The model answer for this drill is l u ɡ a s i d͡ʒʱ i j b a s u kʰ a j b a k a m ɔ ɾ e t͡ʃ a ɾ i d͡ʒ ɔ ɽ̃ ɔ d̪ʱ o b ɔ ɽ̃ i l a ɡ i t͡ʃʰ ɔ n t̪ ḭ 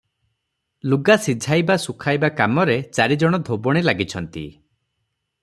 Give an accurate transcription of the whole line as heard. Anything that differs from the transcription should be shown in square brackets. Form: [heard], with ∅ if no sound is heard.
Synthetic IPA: l u ɡ a s i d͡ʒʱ [a] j b a s u kʰ a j b a k a m ɔ ɾ e t͡ʃ a ɾ i d͡ʒ ɔ ɽ̃ ɔ d̪ʱ o b ɔ ɽ̃ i l a ɡ i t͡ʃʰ ɔ n t̪ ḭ